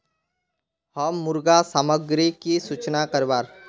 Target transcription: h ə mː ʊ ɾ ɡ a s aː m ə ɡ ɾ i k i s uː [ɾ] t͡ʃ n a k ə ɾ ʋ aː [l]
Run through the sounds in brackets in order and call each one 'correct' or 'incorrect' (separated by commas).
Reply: incorrect, incorrect